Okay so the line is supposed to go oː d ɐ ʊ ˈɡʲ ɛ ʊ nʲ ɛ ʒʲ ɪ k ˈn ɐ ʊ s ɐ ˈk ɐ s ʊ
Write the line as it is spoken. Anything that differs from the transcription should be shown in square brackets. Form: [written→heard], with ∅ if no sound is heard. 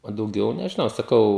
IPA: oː d ɐ ʊ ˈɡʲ ɛ ʊ nʲ ɛ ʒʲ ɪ [k→∅] ˈn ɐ ʊ s ɐ ˈk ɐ [s→∅] ʊ